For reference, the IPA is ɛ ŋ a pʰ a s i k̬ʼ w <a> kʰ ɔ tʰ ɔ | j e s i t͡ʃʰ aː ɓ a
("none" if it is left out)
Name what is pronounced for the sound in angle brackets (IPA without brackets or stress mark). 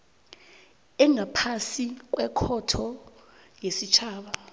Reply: ɛ